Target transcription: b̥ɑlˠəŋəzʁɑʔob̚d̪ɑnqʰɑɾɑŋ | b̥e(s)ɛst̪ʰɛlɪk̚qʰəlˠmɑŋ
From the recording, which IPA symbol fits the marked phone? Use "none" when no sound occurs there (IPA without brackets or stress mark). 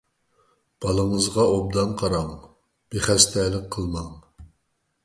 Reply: χ